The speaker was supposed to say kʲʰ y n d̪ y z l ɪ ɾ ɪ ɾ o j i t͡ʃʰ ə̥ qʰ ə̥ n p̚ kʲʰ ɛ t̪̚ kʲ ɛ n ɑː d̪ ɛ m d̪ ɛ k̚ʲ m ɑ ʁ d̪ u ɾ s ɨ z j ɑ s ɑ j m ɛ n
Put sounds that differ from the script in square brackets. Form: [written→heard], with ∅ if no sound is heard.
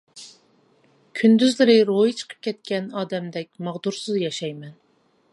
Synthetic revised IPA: kʲʰ y n d̪ y z l ɪ ɾ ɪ ɾ o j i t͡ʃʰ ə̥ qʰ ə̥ [n→∅] p̚ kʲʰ ɛ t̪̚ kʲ ɛ n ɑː d̪ ɛ m d̪ ɛ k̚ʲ m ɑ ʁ d̪ u ɾ s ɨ z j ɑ [s→ʃ] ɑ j m ɛ n